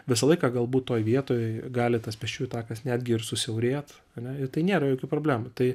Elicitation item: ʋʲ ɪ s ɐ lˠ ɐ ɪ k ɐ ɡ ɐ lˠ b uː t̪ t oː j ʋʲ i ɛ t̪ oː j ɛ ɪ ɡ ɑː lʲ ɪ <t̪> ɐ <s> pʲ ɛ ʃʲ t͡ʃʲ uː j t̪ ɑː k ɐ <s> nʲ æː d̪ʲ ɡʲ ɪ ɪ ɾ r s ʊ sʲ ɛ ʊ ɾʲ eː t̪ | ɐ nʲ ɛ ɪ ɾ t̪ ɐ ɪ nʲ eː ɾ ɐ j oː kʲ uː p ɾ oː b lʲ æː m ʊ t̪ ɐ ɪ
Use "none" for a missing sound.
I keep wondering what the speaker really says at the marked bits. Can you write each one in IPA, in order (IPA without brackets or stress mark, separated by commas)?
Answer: t̪, s, s